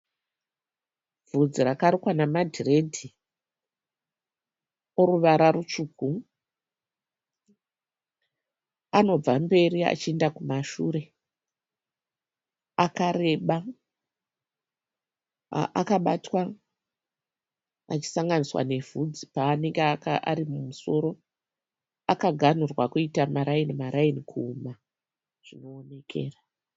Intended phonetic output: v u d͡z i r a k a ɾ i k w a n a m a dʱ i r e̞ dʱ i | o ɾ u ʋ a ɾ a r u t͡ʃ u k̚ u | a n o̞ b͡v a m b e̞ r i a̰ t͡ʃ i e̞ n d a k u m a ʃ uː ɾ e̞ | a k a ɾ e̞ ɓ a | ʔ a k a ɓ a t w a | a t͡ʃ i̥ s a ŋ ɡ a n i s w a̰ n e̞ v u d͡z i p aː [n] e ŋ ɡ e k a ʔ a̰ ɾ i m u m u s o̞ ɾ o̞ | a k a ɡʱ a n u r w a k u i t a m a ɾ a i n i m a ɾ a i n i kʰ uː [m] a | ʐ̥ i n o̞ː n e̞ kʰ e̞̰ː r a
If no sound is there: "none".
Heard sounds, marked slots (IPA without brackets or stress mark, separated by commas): n, m